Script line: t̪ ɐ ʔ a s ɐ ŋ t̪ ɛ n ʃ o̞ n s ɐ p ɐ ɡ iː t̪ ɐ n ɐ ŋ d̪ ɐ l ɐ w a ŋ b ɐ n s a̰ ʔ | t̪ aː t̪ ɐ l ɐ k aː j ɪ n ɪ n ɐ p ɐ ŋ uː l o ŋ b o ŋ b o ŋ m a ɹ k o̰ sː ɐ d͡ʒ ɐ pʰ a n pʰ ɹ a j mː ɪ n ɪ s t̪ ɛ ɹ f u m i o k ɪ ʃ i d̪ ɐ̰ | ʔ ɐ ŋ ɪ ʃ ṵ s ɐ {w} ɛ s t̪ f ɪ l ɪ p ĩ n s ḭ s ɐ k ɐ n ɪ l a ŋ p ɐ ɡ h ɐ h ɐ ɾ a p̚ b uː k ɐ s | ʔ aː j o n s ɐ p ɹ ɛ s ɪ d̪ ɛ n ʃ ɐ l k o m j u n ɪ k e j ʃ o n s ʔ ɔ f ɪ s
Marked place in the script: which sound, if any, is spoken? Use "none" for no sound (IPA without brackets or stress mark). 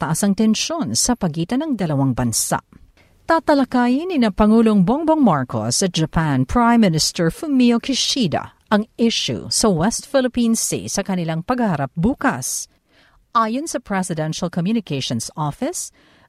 w